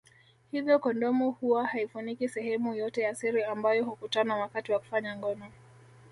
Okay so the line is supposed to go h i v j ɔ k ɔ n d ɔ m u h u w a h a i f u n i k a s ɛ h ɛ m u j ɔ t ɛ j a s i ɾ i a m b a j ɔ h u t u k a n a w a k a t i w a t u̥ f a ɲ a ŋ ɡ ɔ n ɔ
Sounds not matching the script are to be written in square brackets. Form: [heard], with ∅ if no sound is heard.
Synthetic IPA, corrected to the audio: h i v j ɔ k ɔ n d ɔ m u h u w a h a i f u n i k [i] s ɛ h ɛ m u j ɔ t ɛ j a s i ɾ i a m b a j ɔ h u [k] u [t] a n a w a k a t i w a [k] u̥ f a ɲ a ŋ ɡ ɔ n ɔ